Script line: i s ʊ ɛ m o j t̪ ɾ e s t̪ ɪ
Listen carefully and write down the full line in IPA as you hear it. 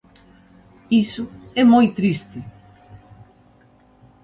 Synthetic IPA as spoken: i s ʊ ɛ m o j t̪ ɾ i s t̪ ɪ

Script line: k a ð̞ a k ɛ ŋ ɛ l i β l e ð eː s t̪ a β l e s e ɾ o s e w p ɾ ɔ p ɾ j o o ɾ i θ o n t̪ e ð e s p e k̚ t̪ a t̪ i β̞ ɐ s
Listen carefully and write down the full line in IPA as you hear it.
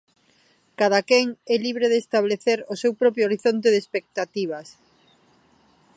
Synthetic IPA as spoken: k a ð̞ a k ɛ ŋ ɛ l i β ɾ e ð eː s t̪ a β l e θ e ɾ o s e w p ɾ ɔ p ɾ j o o ɾ i θ o n t̪ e ð e s p e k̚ t̪ a t̪ i β̞ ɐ s

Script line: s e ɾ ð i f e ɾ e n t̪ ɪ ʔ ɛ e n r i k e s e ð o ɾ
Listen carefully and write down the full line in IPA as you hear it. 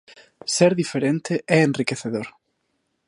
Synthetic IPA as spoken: s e ɾ ð i f e ɾ e n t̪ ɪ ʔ ɛ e n r i k e θ e ð o ɾ

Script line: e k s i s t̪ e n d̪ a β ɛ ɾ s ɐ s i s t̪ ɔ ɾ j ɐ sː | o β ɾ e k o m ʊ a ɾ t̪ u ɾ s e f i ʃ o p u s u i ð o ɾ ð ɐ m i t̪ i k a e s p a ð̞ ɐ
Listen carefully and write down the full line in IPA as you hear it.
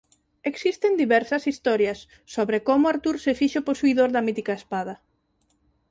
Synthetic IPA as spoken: e k s i s t̪ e n d̪ i β ɛ ɾ s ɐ s i s t̪ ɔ ɾ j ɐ sː | o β ɾ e k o m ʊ a ɾ t̪ u ɾ s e f i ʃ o p o s u i ð o ɾ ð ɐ m i t̪ i k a e s p a ð̞ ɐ

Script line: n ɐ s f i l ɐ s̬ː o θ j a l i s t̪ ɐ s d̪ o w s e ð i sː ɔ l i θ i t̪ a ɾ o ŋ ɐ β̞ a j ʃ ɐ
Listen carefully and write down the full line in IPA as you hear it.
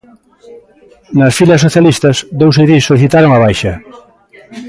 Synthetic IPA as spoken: n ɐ s f i l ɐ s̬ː o θ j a l i s t̪ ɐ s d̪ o w s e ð i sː o l i θ i t̪ a ɾ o ŋ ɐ β̞ a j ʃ ɐ

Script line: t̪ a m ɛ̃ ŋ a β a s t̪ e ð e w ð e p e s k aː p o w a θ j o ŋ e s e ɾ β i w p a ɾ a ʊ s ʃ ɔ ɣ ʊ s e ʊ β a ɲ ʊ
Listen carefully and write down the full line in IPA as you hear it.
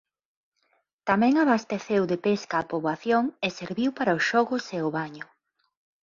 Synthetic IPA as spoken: t̪ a m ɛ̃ ŋ a β a s t̪ e θ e w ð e p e s k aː p o β a θ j o ŋ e s e ɾ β i w p a ɾ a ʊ s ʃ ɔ ɣ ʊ s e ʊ β a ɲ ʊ

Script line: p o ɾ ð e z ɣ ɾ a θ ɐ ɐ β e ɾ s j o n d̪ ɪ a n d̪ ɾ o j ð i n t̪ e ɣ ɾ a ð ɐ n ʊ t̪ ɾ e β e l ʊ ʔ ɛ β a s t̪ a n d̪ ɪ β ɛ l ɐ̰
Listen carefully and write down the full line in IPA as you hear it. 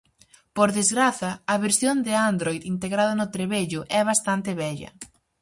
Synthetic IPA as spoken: p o ɾ ð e z ɣ ɾ a θ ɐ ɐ β e ɾ s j o n d̪ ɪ a n d̪ ɾ o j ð i n t̪ e ɣ ɾ a ð ɐ n ʊ t̪ ɾ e β e ʎ ʊ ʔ ɛ β a s t̪ a n t̪ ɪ β ɛ ʎ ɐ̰

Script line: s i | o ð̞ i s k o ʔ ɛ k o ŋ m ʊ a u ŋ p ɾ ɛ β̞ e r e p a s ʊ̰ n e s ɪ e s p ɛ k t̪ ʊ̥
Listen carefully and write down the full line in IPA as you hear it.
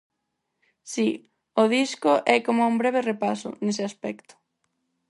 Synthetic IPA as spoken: s i | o ð̞ i s k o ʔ ɛ k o m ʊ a u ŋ b ɾ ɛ β̞ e r e p a s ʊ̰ n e s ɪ a s p ɛ k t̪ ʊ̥

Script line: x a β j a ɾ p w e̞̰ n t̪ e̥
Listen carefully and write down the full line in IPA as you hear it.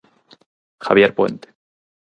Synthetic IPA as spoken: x a β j e ɾ p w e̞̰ n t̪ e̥

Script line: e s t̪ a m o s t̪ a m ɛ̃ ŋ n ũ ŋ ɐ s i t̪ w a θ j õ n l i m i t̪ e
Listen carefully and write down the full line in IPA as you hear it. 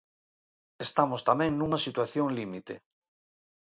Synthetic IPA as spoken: e s t̪ a m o s t̪ a m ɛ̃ ŋ n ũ ŋ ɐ s i t̪ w a θ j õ ŋ l i m i t̪ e

